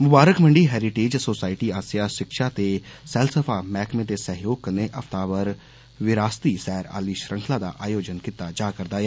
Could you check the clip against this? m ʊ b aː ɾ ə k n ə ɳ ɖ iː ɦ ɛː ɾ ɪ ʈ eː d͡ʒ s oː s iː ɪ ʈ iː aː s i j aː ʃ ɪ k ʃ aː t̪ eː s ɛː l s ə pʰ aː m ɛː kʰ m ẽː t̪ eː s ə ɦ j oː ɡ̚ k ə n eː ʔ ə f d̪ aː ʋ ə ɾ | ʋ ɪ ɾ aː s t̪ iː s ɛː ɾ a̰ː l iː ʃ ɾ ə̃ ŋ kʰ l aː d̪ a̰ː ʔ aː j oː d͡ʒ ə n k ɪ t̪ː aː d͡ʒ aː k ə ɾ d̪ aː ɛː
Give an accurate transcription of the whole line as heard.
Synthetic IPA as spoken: m ʊ b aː ɾ ə k m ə ɳ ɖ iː ɦ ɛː ɾ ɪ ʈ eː d͡ʒ s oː s aː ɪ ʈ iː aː s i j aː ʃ ɪ k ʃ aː t̪ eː s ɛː l s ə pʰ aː m ɛː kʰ m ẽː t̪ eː s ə ɦ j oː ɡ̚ k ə n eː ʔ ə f t̪ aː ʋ ə ɾ | ʋ ɪ ɾ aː s t̪ iː s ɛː ɾ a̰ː l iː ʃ ɾ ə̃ ŋ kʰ l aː d̪ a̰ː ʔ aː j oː d͡ʒ ə n k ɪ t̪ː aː d͡ʒ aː k ə ɾ d̪ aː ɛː